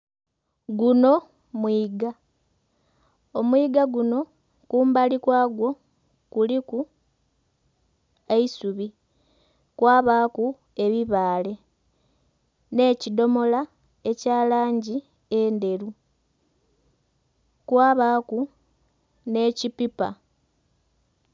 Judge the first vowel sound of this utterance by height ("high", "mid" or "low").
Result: high